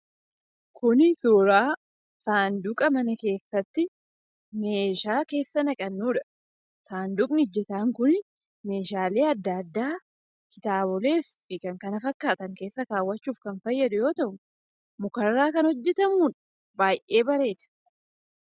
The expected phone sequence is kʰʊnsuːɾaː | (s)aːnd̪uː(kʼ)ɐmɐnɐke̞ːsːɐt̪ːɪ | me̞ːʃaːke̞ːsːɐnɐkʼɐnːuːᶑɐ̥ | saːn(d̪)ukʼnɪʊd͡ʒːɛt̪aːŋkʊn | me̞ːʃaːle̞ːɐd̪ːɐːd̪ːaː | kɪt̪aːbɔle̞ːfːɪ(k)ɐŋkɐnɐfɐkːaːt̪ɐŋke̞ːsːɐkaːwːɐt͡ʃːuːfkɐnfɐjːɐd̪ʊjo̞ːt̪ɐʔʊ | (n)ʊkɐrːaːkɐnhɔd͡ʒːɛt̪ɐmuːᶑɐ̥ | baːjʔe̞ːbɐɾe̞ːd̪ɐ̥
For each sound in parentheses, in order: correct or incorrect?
correct, correct, correct, correct, incorrect

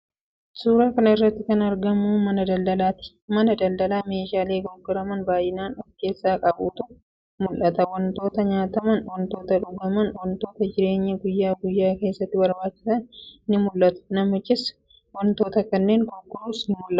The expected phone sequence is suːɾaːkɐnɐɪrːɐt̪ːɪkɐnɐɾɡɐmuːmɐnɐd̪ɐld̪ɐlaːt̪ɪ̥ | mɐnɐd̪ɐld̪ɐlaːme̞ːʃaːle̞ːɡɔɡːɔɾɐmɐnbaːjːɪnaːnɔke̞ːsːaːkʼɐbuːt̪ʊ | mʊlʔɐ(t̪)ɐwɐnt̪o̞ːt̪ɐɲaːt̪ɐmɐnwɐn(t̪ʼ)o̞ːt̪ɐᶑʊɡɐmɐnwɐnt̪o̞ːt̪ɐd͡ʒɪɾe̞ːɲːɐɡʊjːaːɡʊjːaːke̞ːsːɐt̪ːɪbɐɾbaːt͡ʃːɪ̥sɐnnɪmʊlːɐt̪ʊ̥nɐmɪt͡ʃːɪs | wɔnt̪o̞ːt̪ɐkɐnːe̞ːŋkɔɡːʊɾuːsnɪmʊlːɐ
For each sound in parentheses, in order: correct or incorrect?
correct, incorrect

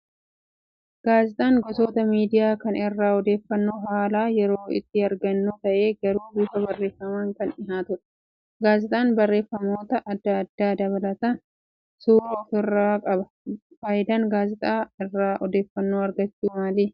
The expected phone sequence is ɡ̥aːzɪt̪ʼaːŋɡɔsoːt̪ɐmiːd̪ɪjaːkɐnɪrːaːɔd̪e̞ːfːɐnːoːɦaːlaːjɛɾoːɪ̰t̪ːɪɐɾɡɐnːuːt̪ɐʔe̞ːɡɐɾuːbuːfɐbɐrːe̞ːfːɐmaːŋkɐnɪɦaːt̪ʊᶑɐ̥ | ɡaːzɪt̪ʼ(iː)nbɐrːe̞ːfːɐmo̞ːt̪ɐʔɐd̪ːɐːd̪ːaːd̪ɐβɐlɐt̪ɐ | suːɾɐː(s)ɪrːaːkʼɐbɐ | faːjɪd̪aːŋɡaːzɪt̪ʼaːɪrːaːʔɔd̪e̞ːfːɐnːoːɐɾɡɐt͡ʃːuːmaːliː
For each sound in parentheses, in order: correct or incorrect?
incorrect, incorrect

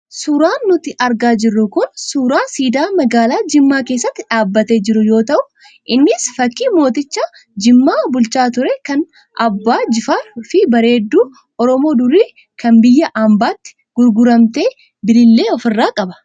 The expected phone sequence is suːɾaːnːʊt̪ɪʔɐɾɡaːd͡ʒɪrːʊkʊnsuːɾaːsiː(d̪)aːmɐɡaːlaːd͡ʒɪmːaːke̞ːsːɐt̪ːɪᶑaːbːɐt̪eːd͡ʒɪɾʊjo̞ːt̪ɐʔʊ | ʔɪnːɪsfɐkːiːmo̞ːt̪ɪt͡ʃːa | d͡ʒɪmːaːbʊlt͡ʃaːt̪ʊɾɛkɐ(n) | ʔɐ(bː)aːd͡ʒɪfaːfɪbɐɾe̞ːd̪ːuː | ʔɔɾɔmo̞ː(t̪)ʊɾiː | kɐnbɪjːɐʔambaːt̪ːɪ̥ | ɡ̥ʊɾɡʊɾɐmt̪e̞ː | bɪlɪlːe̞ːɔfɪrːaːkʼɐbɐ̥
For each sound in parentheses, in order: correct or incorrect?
correct, correct, correct, incorrect

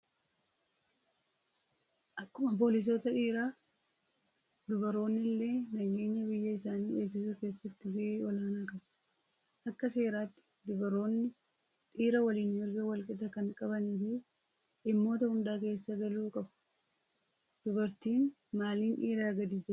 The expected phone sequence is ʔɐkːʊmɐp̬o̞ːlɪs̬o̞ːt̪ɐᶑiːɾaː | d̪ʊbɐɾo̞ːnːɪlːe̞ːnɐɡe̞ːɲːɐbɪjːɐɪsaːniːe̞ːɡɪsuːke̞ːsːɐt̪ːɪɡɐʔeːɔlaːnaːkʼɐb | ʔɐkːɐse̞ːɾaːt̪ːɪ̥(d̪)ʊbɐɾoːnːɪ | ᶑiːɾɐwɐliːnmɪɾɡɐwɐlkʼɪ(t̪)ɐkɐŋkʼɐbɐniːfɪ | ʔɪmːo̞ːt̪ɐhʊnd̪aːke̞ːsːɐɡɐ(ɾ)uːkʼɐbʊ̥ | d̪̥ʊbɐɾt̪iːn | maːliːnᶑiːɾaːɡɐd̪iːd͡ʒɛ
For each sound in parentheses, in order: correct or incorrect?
correct, correct, incorrect

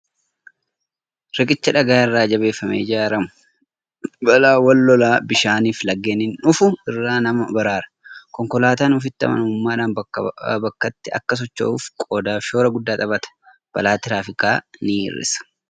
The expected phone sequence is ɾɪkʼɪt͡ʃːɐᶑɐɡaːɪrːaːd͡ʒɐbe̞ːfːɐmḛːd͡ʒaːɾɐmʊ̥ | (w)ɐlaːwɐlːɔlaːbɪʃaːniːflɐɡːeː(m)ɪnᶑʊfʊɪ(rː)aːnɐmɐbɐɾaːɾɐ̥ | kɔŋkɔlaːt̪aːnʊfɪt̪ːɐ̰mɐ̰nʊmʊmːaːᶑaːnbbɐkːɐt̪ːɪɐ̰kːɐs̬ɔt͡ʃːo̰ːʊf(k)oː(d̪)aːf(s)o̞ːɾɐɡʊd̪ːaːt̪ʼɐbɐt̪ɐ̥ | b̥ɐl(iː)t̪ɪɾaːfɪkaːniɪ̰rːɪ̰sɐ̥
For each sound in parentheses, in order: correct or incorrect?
incorrect, incorrect, correct, incorrect, correct, incorrect, incorrect

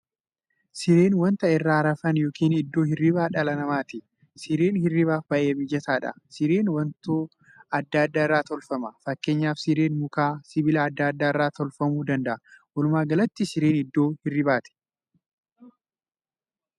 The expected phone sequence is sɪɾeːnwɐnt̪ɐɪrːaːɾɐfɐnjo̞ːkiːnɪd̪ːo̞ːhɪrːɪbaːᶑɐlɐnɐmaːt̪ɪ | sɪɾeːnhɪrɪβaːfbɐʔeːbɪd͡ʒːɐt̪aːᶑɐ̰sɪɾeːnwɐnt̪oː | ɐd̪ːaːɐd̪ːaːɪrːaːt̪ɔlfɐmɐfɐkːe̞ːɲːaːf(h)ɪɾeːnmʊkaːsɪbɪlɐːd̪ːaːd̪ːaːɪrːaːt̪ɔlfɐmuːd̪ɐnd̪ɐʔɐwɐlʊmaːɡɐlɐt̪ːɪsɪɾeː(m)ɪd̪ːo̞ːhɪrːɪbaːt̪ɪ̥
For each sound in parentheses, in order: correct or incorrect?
incorrect, incorrect

